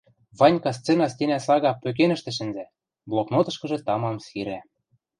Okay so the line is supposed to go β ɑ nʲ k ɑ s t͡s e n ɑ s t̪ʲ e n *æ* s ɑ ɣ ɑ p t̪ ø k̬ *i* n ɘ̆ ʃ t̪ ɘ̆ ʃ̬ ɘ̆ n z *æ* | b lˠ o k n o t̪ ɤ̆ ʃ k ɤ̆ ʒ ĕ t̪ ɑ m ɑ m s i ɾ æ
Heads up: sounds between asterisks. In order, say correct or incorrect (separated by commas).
correct, incorrect, correct